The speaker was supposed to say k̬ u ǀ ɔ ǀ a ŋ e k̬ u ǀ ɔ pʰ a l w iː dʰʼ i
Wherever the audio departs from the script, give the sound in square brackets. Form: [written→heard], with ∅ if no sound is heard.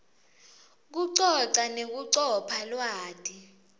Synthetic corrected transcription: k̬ u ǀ ɔ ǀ a [ŋ→n] e k̬ u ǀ ɔ pʰ a l w [iː→aː] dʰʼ i